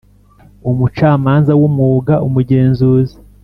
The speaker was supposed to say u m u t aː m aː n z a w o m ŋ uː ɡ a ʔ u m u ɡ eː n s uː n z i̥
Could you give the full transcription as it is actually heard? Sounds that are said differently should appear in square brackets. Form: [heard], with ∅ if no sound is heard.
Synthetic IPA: u m u [t͡ʃ] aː m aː n z a w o m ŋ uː ɡ a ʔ u m u [ɟ] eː n [z] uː [∅] z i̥

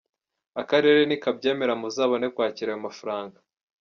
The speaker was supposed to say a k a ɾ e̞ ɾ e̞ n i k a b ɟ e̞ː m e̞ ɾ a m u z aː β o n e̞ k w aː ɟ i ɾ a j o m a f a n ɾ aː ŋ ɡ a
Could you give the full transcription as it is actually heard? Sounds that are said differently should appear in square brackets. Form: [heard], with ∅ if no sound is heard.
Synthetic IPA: a k a ɾ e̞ ɾ e̞ n i k a b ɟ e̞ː m e̞ ɾ a m u z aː β o n e̞ k w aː [c] i ɾ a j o m a f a [∅] ɾ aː ŋ ɡ a

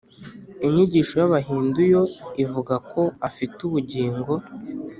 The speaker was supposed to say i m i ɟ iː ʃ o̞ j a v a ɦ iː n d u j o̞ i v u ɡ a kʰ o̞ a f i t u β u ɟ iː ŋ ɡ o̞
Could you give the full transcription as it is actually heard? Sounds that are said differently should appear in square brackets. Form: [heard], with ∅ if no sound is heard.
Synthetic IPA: i [ɲ] i ɟ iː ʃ o̞ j a [β] a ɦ iː n d u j o̞ i v u ɡ a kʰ o̞ a f i t u β u ɟ iː ŋ ɡ o̞

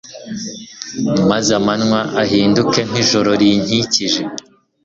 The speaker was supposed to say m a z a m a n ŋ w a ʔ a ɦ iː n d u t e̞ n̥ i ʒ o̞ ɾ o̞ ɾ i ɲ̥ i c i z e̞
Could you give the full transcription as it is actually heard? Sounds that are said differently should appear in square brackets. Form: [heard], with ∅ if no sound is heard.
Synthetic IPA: m a z a m a n ŋ w a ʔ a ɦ iː n d u [k] e̞ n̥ i ʒ o̞ ɾ o̞ ɾ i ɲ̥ i c i [ʒ] e̞

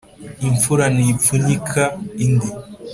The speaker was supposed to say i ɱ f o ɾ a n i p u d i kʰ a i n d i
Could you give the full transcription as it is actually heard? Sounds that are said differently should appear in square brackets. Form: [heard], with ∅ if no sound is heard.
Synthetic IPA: i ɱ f [u] ɾ a n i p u [n] i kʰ a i n d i

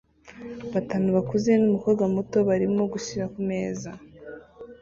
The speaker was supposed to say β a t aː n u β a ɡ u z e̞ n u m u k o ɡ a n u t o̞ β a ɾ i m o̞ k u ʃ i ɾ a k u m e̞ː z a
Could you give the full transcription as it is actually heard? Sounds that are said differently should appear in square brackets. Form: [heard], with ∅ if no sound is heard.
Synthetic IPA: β a t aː n u β a [k] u z e̞ n u m u k o ɡ a [m] u t o̞ β a ɾ i m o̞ [ɡ] u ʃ i ɾ a k u m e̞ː z a

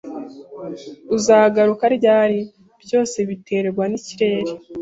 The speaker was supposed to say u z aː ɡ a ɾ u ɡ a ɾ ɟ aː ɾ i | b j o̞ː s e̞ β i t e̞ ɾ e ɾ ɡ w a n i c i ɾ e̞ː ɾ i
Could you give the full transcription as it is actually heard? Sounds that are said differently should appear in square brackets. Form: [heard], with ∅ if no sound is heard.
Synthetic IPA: u z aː ɡ a ɾ u [k] a ɾ ɟ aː ɾ i | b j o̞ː s e̞ β i t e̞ ɾ e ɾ ɡ w a n i c i ɾ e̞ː ɾ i

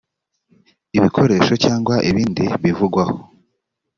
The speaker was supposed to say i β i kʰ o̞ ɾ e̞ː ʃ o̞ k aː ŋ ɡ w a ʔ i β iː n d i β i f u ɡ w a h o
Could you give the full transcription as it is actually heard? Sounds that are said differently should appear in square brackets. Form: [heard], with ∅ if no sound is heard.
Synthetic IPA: i β i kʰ o̞ ɾ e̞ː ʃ o̞ [c] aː ŋ ɡ w a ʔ i β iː n d i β i [v] u ɡ w a h o

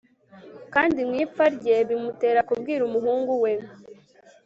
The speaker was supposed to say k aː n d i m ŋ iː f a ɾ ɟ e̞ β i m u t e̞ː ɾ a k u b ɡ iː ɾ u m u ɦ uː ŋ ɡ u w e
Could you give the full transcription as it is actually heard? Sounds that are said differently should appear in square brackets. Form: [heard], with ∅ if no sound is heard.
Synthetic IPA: k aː n d i m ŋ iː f a ɾ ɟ e̞ β i m u t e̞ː ɾ a k u b ɡ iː ɾ u m u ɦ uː ŋ ɡ u w e

